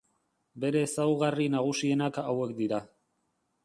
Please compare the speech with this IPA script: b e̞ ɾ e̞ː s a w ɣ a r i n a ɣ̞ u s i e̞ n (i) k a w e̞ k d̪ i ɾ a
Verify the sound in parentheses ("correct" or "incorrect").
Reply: incorrect